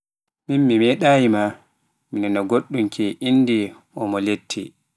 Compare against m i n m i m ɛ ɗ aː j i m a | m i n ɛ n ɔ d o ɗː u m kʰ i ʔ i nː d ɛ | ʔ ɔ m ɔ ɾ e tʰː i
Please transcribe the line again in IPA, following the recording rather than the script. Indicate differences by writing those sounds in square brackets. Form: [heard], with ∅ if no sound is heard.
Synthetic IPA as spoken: m i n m i m ɛ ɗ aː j i m a | m i n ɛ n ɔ [ɡ] o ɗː u m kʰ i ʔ i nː d [i] | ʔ ɔ m ɔ [l] e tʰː i